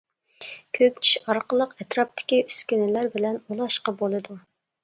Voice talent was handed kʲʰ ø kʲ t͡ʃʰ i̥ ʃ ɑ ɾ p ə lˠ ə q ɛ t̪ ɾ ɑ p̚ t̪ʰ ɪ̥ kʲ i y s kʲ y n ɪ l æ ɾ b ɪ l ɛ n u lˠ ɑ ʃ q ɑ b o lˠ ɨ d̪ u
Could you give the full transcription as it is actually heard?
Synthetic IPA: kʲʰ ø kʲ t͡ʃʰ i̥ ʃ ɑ ɾ q ə lˠ ə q ɛ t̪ ɾ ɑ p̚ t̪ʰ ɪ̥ kʲ i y s kʲ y n ɪ l æ ɾ b ɪ l ɛ n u lˠ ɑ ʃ q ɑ b o lˠ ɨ d̪ u